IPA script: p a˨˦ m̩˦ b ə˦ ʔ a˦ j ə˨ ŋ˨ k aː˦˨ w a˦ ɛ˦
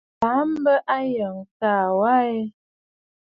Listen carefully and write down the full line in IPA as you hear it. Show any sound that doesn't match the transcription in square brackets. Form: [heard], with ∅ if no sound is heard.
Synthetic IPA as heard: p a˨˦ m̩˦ b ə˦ ʔ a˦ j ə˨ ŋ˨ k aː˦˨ w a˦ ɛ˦